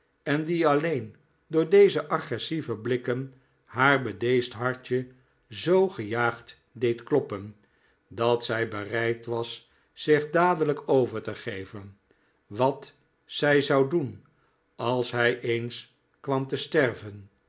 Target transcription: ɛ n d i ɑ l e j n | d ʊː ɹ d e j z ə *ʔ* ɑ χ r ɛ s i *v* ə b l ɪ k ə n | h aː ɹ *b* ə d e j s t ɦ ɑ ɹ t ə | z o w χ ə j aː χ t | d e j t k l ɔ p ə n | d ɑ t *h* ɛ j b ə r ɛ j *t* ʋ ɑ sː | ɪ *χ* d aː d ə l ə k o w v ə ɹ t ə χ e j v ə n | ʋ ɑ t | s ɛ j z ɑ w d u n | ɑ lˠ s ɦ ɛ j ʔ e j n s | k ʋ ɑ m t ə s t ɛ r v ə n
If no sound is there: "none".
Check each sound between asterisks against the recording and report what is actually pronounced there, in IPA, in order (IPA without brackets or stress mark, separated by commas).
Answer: ʔ, v, b, s, t, χ